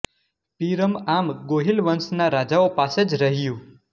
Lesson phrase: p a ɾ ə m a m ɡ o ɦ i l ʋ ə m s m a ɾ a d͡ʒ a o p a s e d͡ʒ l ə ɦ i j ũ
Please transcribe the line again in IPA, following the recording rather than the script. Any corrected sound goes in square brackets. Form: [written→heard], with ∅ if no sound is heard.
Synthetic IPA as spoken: p [a→i] ɾ ə m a m ɡ o ɦ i l ʋ ə [m→n] s [m→n] a ɾ a d͡ʒ a o p a s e d͡ʒ [l→ɾ] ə ɦ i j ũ

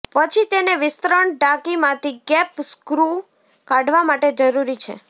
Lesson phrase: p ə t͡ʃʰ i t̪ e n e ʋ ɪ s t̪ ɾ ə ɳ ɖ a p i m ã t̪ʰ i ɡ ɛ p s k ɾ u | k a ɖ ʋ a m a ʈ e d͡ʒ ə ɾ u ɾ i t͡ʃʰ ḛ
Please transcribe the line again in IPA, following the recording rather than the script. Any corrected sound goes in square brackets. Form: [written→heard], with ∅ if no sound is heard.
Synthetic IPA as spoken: p ə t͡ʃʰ i t̪ e n e ʋ ɪ s t̪ ɾ ə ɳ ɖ a [p→k] i m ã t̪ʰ i ɡ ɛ p s k ɾ u | k a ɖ ʋ a m a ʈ e d͡ʒ ə ɾ u ɾ i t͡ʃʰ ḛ

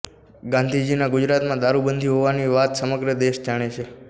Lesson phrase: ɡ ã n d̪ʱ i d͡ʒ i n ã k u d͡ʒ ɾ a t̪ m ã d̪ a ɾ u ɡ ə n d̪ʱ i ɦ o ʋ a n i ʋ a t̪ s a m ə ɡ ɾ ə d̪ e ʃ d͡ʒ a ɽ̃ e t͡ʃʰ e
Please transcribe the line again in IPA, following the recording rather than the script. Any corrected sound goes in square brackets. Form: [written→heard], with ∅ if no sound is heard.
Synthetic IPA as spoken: ɡ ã n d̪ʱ i d͡ʒ i n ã [k→ɡ] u d͡ʒ ɾ a t̪ m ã d̪ a ɾ u [ɡ→b] ə n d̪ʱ i ɦ o ʋ a n i ʋ a t̪ s [a→ə] m ə ɡ ɾ ə d̪ e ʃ d͡ʒ a ɽ̃ e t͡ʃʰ e

